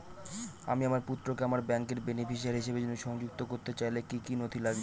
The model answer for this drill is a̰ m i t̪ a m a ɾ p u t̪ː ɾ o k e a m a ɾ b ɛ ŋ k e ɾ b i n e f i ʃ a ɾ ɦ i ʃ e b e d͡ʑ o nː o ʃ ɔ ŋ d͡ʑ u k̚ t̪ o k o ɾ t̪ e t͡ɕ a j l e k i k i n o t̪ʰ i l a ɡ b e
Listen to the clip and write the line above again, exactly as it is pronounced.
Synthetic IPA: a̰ m i a m a ɾ p u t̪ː ɾ o k e a m a ɾ b ɛ ŋ k e ɾ b e n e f i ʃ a ɾ ɦ i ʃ e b e d͡ʑ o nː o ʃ ɔ ŋ d͡ʑ u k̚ t̪ o k o ɾ t̪ e t͡ɕ a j l e k i k i n o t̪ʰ i l a ɡ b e